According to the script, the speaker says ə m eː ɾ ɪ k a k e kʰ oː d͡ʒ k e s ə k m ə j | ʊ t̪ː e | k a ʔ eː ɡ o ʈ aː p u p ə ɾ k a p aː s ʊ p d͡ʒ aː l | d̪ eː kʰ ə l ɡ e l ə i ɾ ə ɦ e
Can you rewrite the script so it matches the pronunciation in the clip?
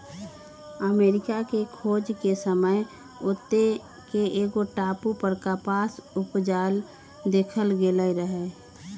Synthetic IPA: ə m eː ɾ ɪ k a k e kʰ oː d͡ʒ k e s ə m ə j | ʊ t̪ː e | k e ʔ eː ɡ o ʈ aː p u p ə ɾ k a p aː s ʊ p d͡ʒ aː l | d̪ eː kʰ ə l ɡ e l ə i ɾ ə ɦ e